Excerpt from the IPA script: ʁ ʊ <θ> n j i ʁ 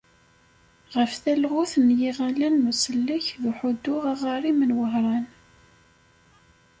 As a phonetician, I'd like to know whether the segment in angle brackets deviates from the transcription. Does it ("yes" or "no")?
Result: no